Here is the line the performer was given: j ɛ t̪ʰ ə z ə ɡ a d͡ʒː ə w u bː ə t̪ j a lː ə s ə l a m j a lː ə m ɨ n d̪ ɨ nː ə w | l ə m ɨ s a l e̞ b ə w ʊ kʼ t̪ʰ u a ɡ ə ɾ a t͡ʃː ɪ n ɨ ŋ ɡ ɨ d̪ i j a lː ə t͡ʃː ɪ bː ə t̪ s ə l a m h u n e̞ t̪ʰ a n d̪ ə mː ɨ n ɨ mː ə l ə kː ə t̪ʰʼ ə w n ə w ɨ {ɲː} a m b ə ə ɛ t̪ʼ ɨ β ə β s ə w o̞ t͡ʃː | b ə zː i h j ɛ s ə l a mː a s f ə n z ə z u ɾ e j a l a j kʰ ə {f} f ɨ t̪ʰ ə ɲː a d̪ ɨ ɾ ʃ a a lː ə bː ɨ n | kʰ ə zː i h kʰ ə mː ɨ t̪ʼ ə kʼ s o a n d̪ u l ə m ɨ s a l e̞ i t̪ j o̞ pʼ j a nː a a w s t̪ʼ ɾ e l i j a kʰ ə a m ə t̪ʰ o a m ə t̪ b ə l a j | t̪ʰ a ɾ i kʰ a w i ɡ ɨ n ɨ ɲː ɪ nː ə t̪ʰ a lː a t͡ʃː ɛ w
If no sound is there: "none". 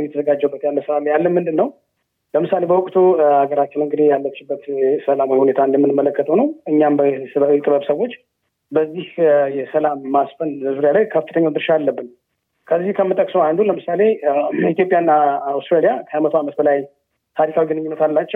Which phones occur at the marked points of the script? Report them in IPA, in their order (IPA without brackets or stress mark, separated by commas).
ɲː, f